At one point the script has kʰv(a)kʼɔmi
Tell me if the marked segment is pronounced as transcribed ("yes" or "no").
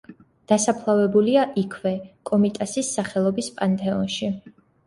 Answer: no